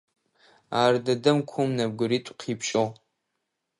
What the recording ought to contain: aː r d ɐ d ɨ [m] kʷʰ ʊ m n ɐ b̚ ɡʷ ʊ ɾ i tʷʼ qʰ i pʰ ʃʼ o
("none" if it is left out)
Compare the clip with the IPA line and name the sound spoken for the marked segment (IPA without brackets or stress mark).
m